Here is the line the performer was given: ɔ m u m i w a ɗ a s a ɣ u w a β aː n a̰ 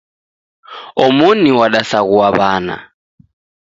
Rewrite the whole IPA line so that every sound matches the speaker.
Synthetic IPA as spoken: ɔ m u n i w a ɗ a s a ɣ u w a β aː n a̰